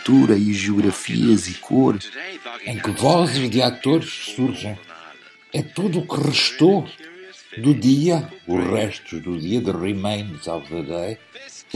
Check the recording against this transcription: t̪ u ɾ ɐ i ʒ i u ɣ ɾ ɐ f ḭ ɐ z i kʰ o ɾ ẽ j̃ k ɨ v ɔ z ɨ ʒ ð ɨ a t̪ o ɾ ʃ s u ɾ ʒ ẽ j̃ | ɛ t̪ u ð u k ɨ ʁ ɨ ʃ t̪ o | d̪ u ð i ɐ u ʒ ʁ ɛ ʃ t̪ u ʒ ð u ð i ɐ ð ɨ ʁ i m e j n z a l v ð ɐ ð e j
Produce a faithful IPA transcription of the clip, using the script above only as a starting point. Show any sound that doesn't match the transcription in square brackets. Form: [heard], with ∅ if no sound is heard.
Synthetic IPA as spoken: t̪ u ɾ ɐ i ʒ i u ɣ ɾ ɐ f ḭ ɐ z i kʰ o ɾ ẽ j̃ k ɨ v ɔ z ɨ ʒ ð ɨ a t̪ o ɾ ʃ s u ɾ ʒ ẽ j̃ | ɛ t̪ u ð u k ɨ ʁ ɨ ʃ t̪ o | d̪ u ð i ɐ u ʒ ʁ ɛ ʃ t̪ u ʒ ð u ð i ɐ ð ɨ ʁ i m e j n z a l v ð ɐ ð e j